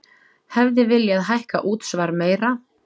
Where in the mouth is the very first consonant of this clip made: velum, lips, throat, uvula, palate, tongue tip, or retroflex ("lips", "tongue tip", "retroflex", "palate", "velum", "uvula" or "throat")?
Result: throat